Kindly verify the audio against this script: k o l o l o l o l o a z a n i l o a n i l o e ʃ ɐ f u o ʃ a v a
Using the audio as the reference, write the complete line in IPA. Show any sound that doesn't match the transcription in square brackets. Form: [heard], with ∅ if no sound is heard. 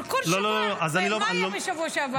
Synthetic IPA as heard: k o l o l o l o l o a z a n i l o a n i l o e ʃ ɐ [v] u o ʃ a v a